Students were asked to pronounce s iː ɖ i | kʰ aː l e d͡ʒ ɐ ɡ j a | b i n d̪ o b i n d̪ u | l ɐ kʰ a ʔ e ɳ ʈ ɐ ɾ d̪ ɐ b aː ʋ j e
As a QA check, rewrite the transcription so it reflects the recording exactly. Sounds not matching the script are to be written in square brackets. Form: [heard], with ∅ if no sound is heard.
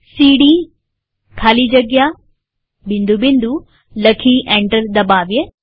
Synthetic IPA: s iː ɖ i | kʰ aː l [i] d͡ʒ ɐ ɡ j a | b i n d̪ [u] b i n d̪ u | l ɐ kʰ [i] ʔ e ɳ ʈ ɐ ɾ d̪ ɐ b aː ʋ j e